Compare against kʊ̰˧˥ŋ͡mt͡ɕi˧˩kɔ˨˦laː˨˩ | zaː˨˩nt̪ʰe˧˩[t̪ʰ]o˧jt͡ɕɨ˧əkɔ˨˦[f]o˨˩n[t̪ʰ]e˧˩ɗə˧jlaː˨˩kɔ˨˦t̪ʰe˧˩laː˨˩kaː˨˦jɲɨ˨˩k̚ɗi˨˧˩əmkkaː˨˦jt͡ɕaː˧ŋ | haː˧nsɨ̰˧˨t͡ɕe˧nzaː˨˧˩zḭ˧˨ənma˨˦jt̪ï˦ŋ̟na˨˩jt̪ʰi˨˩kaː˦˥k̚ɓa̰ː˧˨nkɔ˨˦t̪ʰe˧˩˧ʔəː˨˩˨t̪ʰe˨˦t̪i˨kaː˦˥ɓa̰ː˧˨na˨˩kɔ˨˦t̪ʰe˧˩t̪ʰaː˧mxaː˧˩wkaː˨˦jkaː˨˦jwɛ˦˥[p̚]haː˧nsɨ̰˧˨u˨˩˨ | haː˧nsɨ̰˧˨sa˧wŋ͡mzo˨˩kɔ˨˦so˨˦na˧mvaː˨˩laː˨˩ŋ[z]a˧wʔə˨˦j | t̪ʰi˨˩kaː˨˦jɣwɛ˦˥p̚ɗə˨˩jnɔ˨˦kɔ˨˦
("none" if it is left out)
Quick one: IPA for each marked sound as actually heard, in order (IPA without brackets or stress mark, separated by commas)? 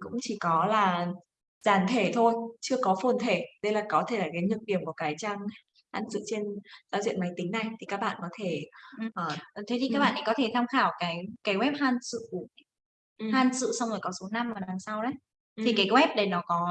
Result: t̪ʰ, f, t̪ʰ, p̚, s